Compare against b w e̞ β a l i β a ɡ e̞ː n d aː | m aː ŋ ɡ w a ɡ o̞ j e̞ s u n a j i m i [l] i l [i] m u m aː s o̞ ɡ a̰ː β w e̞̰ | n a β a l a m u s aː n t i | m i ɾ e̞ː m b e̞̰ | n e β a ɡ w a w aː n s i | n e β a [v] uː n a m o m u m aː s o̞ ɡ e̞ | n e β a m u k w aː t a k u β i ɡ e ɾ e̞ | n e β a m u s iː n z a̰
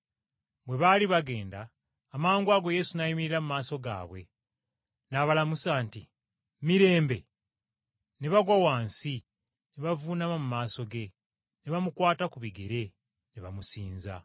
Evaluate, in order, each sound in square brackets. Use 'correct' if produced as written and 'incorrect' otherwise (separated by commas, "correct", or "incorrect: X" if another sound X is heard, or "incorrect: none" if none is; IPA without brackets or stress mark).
incorrect: ɾ, incorrect: a, correct